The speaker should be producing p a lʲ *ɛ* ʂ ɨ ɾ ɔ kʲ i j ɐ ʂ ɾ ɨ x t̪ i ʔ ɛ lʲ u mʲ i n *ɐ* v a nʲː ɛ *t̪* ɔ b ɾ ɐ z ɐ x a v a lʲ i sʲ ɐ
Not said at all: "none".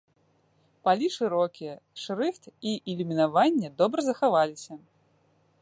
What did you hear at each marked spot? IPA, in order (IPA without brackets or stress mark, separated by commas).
i, a, d̪